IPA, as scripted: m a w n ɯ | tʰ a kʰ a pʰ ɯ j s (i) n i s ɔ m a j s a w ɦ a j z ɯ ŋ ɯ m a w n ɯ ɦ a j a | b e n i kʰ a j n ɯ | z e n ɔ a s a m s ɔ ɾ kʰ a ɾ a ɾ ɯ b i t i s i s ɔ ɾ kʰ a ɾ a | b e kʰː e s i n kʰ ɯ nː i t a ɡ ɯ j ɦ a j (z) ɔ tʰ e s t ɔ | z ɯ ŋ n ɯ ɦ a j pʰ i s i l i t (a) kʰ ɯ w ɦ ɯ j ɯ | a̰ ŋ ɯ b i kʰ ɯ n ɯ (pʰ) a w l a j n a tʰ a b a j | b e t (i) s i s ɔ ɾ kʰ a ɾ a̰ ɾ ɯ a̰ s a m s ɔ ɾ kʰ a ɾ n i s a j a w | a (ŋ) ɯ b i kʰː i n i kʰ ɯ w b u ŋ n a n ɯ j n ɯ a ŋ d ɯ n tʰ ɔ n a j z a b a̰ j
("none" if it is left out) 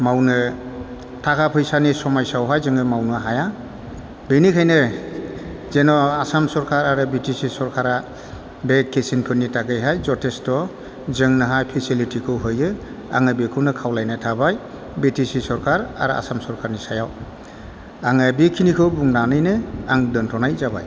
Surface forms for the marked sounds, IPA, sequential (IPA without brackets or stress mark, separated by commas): a, z, i, kʰ, i, ŋ